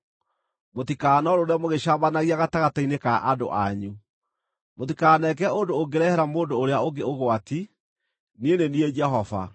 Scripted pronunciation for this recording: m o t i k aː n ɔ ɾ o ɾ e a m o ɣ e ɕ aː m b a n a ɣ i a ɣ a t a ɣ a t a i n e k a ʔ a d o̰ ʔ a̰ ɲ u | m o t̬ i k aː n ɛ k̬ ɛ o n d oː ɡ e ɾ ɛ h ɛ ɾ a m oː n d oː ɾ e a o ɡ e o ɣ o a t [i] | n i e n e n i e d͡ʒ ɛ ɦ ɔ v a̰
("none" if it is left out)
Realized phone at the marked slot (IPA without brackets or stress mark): i